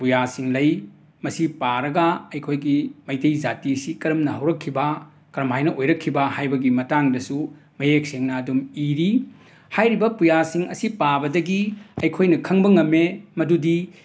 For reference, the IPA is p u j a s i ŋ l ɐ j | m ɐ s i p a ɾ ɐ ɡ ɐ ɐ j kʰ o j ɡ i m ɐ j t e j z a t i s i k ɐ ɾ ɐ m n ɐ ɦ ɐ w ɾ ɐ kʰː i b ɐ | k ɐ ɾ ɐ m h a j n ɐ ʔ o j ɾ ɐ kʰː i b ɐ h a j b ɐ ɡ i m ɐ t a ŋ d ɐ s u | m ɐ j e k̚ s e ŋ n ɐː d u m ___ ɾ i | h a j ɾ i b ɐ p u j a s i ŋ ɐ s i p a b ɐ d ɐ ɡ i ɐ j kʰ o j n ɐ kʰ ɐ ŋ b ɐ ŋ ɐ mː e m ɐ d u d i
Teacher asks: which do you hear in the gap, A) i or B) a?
A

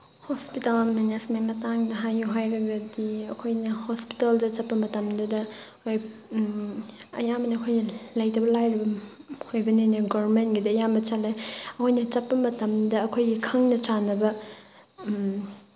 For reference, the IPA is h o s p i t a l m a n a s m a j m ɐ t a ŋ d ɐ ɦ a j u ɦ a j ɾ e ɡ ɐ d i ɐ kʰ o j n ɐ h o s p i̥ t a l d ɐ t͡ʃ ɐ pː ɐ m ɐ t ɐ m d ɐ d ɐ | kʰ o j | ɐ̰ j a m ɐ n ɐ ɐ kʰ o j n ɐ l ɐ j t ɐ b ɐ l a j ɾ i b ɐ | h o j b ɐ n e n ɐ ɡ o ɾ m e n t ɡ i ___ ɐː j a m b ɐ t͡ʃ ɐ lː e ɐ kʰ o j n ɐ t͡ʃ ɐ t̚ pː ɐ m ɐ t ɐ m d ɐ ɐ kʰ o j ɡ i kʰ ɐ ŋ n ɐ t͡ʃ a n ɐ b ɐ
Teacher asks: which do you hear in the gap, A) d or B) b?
A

